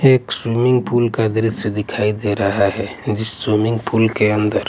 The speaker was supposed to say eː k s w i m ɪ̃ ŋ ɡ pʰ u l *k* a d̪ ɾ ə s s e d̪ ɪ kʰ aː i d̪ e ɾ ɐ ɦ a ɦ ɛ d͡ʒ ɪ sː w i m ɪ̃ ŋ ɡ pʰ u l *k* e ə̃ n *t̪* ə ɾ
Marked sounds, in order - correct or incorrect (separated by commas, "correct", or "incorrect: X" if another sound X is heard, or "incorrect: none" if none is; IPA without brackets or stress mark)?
correct, correct, incorrect: d̪